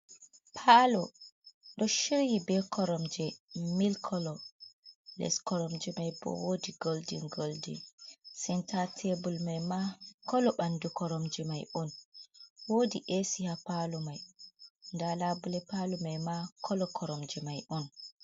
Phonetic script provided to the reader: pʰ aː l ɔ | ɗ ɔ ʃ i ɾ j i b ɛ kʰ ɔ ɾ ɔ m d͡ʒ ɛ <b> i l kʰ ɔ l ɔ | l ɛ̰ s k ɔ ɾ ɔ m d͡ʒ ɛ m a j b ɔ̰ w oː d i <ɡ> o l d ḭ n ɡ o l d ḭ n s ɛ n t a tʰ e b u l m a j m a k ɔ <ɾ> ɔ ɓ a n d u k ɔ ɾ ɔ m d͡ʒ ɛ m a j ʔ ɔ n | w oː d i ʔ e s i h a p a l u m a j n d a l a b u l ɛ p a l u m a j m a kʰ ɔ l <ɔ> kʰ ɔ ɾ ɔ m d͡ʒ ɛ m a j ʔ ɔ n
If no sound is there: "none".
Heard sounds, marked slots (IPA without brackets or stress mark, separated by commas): m, ɡ, l, ɔ